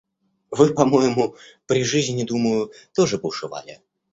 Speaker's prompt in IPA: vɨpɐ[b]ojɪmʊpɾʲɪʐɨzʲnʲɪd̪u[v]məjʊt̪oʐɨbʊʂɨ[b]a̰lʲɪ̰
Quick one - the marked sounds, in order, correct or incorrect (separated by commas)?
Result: incorrect, incorrect, incorrect